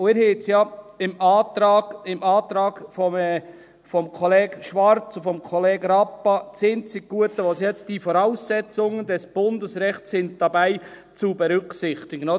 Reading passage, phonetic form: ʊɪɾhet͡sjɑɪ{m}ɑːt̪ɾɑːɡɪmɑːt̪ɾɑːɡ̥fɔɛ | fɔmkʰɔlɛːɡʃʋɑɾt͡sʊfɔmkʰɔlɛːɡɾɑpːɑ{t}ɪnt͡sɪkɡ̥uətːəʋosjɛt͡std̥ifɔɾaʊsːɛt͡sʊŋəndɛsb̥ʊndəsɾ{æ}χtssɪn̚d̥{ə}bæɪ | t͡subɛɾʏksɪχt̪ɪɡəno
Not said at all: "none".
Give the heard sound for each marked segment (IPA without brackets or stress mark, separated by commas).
m, t͡s, ɛ, ɑ